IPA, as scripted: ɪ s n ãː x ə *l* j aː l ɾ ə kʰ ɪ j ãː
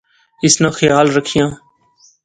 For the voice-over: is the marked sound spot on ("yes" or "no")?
no